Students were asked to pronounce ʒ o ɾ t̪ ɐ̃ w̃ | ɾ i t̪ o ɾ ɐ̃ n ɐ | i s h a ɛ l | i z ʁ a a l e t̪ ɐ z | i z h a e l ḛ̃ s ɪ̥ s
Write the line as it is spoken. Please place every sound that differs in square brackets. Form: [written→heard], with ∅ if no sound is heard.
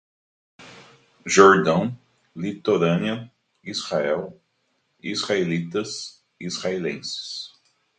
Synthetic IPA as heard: ʒ o ɾ [t̪→d̪] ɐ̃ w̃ | [ɾ→l] i t̪ o ɾ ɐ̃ n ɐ | i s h a ɛ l | i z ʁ a [a→e] l [e→i] t̪ ɐ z | i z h a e l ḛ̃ s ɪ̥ s